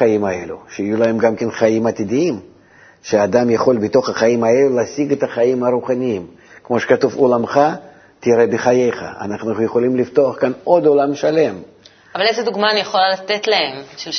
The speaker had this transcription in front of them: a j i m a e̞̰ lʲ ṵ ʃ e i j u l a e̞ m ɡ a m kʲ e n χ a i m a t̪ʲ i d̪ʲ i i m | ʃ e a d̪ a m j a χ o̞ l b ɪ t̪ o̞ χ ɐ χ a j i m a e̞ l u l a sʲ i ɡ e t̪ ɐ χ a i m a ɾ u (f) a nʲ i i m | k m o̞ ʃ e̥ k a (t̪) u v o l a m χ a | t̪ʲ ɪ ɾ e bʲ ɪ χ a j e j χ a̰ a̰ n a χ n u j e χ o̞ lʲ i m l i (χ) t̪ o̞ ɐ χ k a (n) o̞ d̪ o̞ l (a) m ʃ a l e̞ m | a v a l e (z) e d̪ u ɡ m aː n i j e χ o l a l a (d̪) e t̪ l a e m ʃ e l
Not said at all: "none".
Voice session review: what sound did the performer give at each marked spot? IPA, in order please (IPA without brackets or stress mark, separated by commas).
χ, t̪, f, n, a, z, t̪